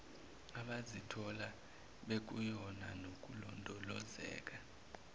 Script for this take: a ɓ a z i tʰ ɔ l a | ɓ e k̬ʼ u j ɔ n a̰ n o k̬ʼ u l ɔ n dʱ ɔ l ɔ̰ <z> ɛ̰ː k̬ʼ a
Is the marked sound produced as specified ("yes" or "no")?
yes